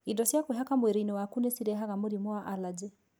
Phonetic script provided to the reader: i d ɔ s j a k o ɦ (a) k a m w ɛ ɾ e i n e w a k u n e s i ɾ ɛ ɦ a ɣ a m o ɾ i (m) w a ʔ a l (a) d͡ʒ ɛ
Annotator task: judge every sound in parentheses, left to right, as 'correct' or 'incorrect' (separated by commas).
correct, correct, correct